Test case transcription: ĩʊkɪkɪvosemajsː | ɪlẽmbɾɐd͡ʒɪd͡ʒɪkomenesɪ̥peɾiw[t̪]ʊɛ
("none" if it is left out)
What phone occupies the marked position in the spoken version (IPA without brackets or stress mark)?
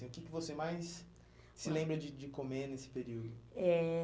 d̪